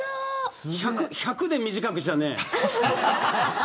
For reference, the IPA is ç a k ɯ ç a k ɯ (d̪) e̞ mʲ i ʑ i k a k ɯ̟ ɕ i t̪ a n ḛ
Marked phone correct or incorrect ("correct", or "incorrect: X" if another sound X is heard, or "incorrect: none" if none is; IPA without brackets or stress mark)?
correct